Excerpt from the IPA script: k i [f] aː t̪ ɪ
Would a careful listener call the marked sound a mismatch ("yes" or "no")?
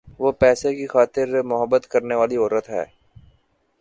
yes